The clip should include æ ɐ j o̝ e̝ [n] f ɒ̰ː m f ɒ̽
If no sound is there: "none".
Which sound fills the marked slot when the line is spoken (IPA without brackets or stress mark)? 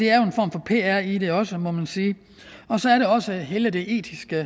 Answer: n